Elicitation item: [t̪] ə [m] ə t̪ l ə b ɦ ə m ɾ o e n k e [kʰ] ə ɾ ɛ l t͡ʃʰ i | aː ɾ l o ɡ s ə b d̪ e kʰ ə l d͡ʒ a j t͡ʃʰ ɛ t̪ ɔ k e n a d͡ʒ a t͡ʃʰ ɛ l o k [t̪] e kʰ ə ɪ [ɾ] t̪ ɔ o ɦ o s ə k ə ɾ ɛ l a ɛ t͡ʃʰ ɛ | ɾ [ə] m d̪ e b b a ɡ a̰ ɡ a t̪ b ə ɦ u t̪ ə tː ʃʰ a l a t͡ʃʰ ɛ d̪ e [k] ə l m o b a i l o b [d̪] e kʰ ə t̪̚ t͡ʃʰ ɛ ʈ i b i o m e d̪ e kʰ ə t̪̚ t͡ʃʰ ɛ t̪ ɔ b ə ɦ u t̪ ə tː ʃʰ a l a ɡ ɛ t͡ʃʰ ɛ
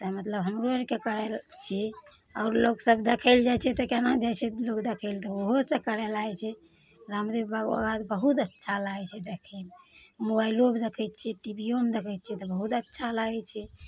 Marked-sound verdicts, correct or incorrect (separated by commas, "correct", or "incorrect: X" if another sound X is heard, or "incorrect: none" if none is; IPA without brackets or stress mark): correct, correct, incorrect: k, incorrect: d̪, incorrect: l, incorrect: a, incorrect: kʰ, correct